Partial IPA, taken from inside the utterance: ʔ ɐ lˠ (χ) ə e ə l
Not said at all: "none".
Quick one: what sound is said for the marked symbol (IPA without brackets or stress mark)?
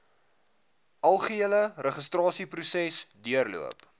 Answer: χ